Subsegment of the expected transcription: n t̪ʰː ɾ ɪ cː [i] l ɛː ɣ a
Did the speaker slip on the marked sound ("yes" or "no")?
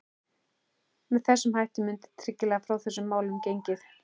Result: yes